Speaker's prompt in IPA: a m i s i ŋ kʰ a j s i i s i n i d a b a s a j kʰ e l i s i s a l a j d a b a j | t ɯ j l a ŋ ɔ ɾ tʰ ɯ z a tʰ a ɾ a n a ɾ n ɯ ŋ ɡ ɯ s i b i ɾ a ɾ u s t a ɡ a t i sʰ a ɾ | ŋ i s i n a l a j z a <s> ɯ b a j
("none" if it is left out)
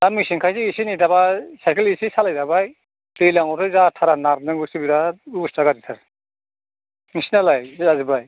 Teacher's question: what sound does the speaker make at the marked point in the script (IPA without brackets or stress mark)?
z